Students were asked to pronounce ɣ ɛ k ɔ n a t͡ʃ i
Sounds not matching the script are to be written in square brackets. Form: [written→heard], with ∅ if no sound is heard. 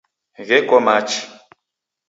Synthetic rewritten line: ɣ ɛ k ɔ [n→m] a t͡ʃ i